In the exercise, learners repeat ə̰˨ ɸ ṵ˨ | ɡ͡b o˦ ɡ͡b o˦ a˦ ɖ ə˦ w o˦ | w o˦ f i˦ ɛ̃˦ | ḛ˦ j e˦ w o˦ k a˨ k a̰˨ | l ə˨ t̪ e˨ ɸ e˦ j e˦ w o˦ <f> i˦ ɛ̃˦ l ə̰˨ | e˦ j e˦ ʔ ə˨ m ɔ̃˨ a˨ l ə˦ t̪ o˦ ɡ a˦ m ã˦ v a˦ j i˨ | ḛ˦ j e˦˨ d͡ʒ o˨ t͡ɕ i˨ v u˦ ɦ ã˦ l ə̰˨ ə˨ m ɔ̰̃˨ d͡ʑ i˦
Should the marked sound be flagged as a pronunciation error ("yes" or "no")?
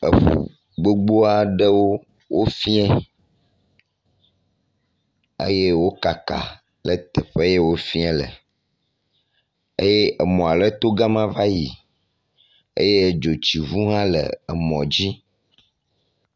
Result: no